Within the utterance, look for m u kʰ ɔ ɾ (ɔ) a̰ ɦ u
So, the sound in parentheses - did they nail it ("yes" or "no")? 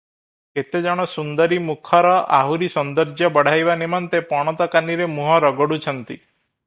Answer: yes